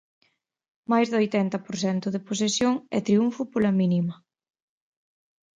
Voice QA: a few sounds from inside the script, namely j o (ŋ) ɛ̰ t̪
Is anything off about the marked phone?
no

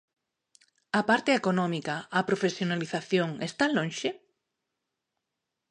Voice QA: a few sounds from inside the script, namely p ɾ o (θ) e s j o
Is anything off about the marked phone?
yes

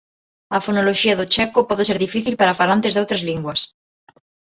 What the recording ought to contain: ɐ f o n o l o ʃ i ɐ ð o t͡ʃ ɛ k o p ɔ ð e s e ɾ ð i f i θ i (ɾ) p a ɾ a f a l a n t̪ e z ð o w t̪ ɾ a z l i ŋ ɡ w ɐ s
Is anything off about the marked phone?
yes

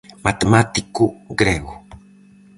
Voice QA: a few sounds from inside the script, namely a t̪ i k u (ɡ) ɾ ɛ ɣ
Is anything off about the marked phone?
no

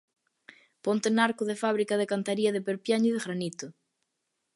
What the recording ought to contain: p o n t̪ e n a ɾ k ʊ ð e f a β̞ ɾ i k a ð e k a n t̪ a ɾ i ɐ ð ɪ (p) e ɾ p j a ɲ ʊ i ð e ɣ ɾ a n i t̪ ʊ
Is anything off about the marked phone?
no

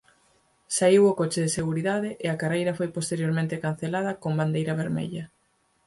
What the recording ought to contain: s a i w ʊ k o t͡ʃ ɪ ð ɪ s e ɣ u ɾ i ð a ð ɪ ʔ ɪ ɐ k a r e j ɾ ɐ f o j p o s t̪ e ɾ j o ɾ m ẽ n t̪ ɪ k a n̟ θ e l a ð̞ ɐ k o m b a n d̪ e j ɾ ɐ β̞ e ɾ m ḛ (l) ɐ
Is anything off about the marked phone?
yes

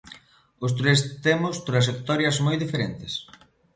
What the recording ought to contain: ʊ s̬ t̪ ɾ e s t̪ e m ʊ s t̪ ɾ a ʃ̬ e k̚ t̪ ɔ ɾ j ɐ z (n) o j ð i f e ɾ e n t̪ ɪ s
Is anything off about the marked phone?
yes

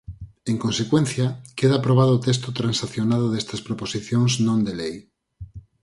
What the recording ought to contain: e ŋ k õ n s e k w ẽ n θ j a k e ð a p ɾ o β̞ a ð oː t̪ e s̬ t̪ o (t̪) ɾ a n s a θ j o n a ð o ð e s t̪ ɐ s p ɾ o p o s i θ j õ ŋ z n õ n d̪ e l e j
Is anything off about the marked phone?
no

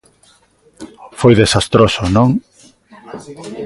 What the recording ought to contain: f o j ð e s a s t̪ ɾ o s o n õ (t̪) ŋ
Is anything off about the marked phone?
yes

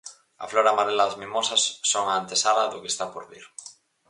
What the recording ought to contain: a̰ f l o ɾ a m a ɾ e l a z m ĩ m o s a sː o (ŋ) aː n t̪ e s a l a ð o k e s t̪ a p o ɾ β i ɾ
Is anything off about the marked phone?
no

